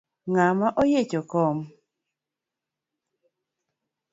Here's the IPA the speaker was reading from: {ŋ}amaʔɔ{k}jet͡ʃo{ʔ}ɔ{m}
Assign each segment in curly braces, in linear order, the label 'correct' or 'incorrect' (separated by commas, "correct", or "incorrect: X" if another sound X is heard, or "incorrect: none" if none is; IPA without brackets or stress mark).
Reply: correct, incorrect: none, incorrect: k, correct